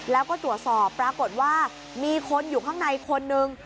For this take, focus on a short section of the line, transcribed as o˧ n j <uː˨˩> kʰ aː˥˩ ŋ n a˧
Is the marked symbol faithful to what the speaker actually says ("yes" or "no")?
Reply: yes